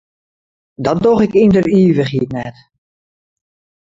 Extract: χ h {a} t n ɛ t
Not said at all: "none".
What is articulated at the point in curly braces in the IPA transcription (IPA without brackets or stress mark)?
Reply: i